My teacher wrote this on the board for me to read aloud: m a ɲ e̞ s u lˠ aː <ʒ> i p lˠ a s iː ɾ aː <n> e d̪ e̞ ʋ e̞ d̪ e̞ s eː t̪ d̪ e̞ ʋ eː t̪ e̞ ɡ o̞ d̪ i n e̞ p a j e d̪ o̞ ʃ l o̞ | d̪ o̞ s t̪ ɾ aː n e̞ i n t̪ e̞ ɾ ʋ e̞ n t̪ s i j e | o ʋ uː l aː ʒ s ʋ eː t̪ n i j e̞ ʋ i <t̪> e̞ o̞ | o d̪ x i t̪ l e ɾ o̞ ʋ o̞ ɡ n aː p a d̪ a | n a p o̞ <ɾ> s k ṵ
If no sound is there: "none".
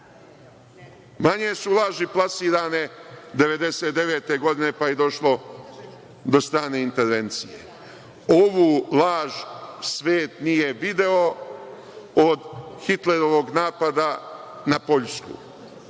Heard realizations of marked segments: ʒ, n, d̪, ʎ

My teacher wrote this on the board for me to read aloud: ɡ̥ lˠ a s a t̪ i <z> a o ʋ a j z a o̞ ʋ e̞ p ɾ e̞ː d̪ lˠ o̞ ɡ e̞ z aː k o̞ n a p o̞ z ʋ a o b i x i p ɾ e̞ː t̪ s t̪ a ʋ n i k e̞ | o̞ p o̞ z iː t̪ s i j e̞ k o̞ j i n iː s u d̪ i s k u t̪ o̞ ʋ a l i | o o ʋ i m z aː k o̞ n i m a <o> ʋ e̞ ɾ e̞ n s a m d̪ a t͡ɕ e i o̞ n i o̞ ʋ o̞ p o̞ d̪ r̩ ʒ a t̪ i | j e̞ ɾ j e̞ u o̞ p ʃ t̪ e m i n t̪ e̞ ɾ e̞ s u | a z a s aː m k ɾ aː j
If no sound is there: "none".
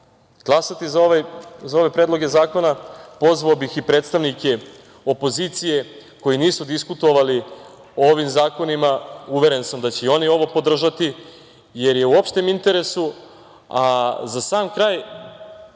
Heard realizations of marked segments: z, u

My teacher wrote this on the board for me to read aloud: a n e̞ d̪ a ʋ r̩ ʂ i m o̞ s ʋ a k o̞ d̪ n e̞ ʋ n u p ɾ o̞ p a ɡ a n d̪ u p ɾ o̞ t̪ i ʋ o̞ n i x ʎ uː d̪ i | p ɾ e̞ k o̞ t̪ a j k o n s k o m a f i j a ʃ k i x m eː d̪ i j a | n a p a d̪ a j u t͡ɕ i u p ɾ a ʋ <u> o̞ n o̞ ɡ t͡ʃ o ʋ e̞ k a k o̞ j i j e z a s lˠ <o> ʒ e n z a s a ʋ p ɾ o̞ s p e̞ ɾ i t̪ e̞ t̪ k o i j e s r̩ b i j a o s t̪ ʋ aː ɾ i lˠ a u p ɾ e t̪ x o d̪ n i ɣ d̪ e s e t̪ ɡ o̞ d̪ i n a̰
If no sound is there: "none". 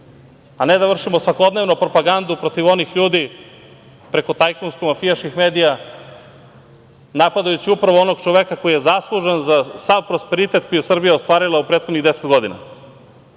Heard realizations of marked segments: o, u

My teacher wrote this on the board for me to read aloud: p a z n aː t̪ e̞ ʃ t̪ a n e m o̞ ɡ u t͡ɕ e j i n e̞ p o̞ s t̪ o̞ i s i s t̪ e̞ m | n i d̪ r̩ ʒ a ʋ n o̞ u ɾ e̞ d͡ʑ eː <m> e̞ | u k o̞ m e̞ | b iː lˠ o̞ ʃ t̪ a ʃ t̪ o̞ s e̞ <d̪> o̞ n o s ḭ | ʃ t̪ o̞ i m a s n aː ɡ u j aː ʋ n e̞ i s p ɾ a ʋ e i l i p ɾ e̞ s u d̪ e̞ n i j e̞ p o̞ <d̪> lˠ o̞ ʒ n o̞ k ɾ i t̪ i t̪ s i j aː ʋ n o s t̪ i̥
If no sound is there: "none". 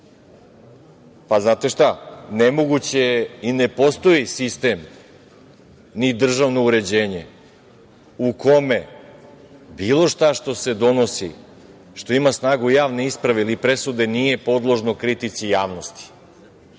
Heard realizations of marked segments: ɲ, d̪, d̪

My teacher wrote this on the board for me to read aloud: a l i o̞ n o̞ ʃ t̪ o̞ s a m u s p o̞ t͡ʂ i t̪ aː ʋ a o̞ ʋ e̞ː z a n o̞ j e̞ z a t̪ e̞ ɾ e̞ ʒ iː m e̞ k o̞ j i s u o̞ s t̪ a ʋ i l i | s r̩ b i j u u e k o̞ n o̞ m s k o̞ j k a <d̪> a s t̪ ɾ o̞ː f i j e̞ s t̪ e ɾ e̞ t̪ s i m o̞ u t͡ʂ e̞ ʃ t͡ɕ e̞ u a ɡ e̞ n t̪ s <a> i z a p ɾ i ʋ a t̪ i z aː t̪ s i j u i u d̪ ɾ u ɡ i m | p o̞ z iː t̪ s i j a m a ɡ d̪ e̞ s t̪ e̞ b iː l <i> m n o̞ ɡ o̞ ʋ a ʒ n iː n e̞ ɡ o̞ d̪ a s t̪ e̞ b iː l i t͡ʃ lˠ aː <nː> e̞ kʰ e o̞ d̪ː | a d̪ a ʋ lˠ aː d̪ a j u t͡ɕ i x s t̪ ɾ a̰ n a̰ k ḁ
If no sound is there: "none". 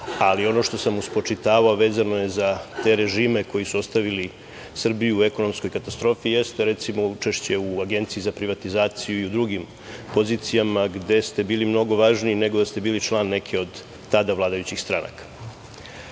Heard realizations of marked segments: t̪, i, i, nː

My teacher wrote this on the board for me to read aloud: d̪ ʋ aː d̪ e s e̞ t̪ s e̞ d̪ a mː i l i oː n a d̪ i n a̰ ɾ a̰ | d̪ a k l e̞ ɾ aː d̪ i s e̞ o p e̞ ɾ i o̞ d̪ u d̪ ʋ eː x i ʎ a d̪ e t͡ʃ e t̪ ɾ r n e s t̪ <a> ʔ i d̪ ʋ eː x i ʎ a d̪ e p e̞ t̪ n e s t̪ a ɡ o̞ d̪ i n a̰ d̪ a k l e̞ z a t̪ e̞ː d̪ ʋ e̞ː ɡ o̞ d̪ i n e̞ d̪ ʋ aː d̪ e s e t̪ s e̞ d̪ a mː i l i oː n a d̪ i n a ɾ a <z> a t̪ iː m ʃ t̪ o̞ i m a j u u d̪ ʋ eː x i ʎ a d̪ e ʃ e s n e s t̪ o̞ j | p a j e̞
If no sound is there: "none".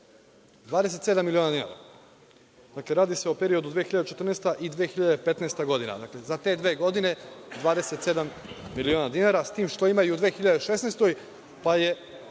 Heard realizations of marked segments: a, s

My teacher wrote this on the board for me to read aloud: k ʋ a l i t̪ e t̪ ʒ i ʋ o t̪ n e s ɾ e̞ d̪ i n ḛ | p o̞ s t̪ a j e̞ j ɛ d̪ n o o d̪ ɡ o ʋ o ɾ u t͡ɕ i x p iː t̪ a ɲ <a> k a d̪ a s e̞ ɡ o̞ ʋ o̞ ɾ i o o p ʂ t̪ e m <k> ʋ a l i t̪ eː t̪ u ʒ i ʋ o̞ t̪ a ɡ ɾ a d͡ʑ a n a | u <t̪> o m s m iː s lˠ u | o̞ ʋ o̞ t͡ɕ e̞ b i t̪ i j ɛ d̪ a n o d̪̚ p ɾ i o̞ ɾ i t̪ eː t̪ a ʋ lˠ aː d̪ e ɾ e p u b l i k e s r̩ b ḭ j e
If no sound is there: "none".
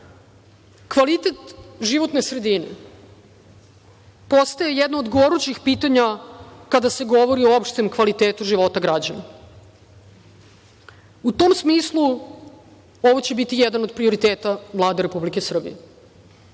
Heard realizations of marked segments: a, k, t̪

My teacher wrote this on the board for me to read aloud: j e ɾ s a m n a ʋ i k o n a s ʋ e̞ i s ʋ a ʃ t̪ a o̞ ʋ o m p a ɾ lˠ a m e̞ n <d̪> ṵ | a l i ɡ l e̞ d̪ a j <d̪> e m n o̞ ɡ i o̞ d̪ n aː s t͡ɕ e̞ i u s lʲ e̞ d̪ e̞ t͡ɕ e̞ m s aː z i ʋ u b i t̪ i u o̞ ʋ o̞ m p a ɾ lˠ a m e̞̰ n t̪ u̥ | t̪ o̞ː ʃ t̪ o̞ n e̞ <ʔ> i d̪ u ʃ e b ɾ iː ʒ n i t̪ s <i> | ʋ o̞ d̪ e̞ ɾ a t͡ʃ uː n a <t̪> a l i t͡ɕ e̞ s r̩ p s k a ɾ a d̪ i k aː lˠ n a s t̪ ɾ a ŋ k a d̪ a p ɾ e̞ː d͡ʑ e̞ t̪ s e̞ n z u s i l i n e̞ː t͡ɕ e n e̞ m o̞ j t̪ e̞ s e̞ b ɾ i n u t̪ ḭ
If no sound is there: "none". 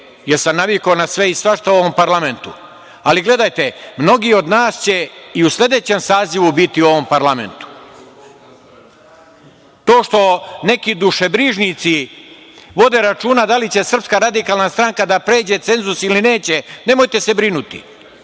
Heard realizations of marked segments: t̪, t̪, k, i, d̪

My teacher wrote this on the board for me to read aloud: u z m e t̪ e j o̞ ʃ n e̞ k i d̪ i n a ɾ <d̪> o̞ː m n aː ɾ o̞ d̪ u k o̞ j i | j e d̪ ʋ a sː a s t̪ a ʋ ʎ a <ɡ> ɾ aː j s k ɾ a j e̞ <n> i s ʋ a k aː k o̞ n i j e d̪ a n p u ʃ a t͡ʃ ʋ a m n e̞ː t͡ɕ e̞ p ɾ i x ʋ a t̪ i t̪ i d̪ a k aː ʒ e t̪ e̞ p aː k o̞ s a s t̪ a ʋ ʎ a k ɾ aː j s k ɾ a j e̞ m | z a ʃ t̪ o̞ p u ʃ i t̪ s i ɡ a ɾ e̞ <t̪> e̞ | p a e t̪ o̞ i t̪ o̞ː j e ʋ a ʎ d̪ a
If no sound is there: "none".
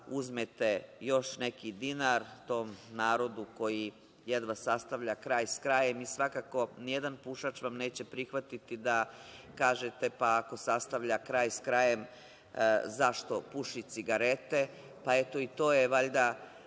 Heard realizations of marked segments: t̪, k, m, t̪

